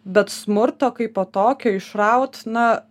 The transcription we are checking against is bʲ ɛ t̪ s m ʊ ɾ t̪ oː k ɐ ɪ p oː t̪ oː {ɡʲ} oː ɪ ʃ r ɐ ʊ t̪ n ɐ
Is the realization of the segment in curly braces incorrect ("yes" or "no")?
yes